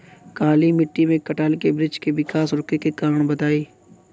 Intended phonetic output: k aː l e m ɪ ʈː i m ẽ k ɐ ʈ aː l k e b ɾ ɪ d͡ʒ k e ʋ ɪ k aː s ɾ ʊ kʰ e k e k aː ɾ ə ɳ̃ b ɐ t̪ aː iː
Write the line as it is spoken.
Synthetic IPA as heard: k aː l i m ɪ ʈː i m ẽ k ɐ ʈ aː l k e b ɾ ɪ d͡ʒ k e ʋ ɪ k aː s ɾ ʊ k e k e k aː ɾ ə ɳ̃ b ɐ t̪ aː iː